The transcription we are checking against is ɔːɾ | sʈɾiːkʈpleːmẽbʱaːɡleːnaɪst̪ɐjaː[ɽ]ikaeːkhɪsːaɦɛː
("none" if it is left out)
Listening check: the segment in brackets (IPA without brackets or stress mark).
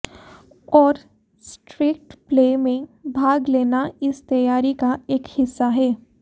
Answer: ɾ